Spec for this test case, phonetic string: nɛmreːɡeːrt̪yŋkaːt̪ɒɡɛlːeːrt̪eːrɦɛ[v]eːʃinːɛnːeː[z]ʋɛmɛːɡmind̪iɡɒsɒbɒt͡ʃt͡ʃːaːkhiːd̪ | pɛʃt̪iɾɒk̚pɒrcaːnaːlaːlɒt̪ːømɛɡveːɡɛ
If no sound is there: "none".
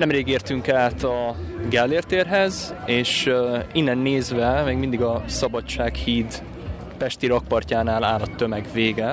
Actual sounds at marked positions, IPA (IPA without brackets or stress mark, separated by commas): z, z